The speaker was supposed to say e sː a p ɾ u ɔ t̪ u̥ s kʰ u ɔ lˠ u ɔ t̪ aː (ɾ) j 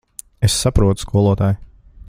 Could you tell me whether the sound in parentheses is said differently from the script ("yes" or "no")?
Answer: yes